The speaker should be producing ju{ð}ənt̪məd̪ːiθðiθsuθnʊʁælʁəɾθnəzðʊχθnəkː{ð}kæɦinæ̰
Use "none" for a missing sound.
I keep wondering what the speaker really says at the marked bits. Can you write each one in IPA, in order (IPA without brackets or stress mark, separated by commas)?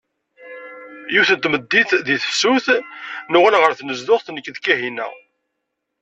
θ, ð